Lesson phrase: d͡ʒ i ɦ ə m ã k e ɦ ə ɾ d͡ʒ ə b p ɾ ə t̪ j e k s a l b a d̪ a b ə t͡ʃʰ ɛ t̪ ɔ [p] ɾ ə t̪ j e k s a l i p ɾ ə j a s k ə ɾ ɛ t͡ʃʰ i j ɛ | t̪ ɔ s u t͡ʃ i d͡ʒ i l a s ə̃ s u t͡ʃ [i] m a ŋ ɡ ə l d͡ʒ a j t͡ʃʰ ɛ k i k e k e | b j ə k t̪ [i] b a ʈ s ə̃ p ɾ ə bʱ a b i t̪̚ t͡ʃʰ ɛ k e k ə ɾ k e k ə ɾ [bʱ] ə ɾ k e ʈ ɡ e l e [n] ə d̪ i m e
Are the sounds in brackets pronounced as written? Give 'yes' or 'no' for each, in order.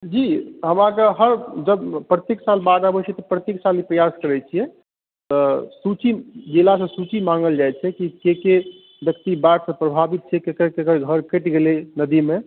yes, yes, yes, no, yes

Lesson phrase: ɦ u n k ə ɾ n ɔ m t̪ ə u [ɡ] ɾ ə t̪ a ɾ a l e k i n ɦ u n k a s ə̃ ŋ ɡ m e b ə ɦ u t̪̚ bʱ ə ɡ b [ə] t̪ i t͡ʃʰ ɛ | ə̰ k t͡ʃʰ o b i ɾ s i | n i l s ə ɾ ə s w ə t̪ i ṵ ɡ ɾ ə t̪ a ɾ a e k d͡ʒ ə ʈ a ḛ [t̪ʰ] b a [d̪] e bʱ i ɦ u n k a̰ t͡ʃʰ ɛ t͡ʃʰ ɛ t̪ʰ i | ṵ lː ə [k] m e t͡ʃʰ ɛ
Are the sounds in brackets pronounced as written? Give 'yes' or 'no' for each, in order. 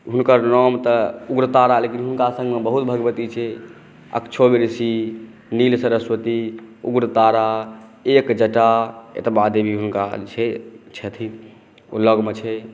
yes, yes, no, yes, no

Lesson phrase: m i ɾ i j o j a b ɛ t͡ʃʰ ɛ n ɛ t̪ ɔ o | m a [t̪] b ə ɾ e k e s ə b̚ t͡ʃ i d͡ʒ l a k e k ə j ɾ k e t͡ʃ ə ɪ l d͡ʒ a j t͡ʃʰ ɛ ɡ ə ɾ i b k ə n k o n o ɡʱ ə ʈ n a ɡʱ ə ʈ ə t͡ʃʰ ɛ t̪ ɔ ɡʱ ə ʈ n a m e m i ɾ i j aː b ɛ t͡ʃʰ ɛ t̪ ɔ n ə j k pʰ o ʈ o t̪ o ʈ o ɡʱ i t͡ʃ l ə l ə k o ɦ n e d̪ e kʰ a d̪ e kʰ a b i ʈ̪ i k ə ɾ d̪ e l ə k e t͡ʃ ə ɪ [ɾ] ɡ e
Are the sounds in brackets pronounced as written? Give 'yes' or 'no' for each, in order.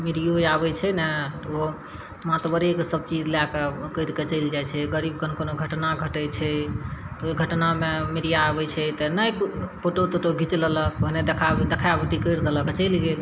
yes, no

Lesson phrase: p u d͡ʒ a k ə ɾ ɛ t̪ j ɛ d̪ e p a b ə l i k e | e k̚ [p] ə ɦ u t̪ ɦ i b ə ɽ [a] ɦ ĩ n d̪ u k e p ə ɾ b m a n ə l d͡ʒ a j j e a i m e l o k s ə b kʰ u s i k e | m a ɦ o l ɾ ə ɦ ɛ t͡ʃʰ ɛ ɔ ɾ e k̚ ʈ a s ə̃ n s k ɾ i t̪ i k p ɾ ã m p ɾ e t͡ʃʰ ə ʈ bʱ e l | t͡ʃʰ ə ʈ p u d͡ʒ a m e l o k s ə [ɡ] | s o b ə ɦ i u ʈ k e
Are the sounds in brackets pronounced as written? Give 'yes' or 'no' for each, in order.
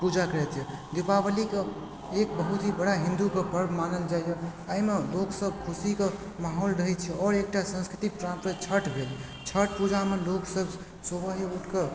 no, yes, no

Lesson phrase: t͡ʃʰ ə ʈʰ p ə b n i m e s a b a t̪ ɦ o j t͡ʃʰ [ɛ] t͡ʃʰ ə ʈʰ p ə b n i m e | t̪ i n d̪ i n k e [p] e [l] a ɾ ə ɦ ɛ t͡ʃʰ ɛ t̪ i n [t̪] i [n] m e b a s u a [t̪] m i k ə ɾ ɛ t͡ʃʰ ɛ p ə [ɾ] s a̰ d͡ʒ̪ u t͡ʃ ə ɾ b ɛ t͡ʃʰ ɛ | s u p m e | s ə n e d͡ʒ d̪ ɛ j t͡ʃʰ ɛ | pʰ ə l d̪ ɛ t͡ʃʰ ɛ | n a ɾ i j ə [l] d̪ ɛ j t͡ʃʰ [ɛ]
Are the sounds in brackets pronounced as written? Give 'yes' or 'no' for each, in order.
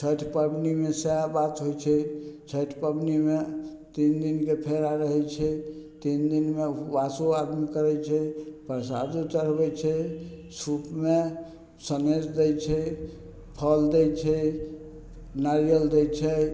yes, no, no, no, yes, no, yes, yes, yes

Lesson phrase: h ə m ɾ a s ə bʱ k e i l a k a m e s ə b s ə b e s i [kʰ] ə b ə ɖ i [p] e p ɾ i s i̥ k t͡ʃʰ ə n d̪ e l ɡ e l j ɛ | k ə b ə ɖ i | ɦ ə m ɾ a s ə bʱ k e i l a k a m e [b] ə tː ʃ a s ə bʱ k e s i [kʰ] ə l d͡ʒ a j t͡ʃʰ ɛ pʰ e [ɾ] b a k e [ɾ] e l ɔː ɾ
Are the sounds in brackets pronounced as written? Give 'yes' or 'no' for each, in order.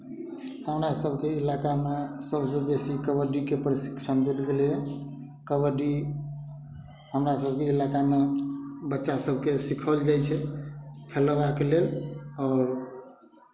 no, no, yes, yes, no, no

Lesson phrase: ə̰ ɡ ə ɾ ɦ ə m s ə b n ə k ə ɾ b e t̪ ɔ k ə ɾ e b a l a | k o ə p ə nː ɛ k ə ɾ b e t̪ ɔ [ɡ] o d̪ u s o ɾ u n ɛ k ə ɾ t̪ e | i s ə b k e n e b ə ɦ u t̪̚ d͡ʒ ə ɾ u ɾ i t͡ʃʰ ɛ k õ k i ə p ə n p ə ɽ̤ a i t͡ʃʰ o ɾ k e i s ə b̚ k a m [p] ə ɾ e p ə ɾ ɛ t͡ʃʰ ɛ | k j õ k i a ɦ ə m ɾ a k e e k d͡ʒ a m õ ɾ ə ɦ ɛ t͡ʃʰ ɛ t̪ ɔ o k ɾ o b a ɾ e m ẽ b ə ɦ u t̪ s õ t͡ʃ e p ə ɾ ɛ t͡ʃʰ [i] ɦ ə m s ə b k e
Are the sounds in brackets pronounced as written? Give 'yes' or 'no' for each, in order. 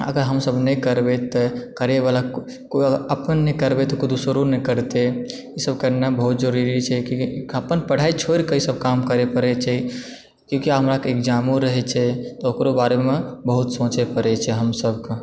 no, no, no

